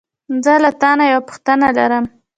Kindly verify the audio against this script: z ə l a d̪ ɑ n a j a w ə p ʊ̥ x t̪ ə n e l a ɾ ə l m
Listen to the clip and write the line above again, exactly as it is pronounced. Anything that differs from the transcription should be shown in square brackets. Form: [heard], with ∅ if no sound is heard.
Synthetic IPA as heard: z ə l a [t̪] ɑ n a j a w [a] p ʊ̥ x t̪ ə n [a] l a ɾ ə [∅] m